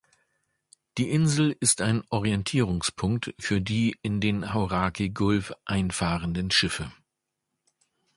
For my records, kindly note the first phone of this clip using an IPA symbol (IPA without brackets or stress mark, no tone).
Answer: d̥